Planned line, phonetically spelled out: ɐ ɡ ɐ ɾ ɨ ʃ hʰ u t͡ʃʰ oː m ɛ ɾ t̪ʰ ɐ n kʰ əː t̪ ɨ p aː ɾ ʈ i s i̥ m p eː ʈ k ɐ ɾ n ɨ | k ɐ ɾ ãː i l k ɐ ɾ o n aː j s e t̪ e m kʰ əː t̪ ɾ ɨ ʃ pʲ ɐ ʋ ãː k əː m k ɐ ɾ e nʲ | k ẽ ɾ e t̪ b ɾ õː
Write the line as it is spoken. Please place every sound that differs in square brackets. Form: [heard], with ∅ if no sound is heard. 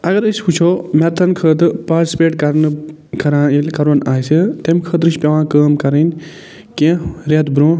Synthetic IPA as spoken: ɐ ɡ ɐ ɾ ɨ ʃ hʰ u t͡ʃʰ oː m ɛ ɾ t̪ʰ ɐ n kʰ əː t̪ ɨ p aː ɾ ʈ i s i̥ [∅] p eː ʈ k ɐ ɾ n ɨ | k ɐ ɾ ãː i l k ɐ ɾ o n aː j s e t̪ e m kʰ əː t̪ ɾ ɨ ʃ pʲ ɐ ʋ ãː k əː m k ɐ ɾ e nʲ | k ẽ ɾ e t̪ b ɾ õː